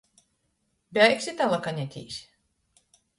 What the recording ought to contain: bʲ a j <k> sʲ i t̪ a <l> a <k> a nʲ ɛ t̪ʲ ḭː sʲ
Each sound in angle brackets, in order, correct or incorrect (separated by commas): correct, correct, correct